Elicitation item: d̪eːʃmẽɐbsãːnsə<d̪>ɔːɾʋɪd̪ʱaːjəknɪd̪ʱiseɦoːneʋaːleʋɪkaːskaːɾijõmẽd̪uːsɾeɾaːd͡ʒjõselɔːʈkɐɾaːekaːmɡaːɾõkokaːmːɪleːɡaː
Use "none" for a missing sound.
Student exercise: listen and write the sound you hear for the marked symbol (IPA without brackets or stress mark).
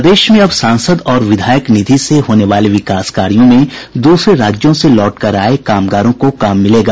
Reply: d̪